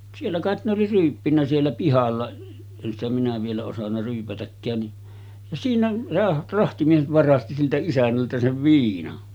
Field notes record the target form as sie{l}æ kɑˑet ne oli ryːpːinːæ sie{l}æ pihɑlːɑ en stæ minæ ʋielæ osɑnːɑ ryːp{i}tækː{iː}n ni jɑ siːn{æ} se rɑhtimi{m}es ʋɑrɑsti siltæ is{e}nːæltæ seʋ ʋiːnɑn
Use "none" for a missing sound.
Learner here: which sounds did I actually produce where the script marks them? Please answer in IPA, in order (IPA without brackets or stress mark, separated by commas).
lː, lː, æ, æː, æ, none, æ